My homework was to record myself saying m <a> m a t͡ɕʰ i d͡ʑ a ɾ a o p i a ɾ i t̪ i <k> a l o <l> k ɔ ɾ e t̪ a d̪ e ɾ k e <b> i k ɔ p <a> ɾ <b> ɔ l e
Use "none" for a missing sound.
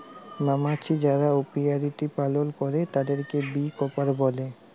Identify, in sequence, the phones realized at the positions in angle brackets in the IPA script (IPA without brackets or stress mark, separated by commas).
a, p, l, b, a, b